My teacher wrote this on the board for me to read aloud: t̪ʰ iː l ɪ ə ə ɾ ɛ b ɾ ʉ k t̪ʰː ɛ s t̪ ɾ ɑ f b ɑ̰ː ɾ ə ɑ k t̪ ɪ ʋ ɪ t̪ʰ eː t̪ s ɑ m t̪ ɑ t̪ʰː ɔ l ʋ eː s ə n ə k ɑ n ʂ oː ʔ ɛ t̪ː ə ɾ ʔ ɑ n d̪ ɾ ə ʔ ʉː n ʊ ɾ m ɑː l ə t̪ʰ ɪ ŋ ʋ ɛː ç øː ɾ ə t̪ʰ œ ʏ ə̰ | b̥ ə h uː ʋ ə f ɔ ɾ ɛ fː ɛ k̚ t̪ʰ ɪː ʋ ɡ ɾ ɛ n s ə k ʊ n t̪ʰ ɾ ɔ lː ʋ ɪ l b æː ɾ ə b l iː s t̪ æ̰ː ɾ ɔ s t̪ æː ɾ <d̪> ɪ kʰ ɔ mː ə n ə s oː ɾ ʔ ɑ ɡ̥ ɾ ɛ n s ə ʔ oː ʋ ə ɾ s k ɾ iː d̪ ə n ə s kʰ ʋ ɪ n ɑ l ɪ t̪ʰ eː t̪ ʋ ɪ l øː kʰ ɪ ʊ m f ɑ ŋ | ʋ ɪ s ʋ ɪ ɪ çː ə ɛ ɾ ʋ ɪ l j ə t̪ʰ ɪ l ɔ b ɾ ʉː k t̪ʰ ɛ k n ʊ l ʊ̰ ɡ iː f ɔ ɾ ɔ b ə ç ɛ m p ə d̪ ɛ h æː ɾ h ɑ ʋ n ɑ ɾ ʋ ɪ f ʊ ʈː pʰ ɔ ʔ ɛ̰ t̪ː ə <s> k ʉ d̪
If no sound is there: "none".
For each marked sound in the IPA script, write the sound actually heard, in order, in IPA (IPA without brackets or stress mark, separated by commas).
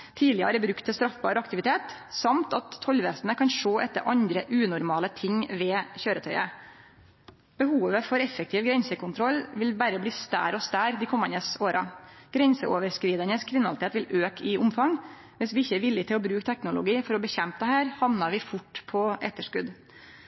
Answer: d̪, ʂ